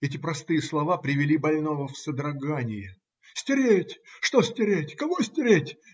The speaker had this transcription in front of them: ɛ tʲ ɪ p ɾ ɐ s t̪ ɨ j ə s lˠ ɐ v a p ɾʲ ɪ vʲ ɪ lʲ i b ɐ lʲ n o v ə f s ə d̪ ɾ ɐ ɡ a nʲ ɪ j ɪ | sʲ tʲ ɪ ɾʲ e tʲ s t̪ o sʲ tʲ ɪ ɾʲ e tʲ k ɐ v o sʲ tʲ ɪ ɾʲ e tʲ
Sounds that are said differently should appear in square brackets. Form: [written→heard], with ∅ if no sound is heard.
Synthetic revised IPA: ɛ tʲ ɪ p ɾ ɐ s t̪ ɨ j ə s lˠ ɐ v a p ɾʲ ɪ vʲ ɪ lʲ i b ɐ lʲ n o v ə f s ə d̪ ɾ ɐ ɡ a nʲ ɪ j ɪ | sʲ tʲ ɪ ɾʲ e tʲ [s→ʂ] t̪ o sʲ tʲ ɪ ɾʲ e tʲ k ɐ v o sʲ tʲ ɪ ɾʲ e tʲ